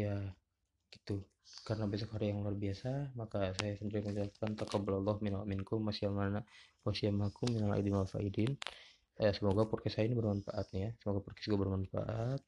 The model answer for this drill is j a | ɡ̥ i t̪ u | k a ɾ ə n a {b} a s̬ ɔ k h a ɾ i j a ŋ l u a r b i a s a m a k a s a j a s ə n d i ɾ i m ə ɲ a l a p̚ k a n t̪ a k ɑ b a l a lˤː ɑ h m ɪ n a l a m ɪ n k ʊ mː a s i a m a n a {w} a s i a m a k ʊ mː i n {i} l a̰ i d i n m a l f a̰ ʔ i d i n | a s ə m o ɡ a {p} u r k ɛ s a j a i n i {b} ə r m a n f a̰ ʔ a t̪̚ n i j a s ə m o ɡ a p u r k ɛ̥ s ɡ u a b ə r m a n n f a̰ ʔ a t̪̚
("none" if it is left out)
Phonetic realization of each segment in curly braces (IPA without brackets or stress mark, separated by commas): b, w, a, p, b